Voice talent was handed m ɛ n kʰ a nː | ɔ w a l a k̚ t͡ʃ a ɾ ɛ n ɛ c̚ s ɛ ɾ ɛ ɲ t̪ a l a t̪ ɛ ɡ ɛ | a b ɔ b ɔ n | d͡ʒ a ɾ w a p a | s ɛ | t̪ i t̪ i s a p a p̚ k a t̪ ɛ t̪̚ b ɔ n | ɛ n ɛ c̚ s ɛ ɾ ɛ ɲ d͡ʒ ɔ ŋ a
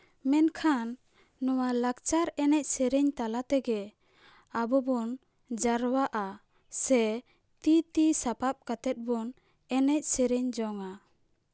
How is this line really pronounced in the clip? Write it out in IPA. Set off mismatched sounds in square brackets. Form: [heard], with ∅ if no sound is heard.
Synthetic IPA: m ɛ n kʰ a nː | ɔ w a l a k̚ t͡ʃ a ɾ ɛ n ɛ c̚ s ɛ ɾ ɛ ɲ t̪ a l a t̪ ɛ ɡ ɛ | a b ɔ b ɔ n | d͡ʒ a ɾ w a [ʔ] a | s ɛ | t̪ i t̪ i s a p a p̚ k a t̪ ɛ t̪̚ b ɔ n | ɛ n ɛ c̚ s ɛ ɾ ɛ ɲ d͡ʒ ɔ ŋ a